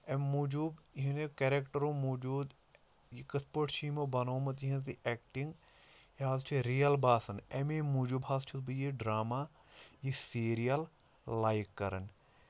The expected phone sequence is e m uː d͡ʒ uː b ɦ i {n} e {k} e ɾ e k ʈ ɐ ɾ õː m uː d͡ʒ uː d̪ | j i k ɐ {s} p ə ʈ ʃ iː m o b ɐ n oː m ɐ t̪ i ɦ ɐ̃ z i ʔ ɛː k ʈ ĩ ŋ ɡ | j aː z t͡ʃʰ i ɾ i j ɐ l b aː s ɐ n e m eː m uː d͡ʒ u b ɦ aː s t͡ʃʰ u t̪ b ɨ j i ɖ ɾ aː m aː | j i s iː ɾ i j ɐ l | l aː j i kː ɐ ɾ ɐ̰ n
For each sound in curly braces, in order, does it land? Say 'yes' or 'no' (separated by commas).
yes, yes, yes